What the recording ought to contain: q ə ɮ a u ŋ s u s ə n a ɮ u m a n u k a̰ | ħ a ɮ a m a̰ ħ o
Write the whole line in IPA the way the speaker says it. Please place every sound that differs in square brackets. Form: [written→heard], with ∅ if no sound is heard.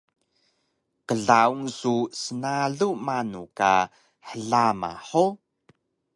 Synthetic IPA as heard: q ə ɮ a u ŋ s u s ə n a ɮ u m a n u k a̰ | ħ [a→ə] ɮ a m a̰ ħ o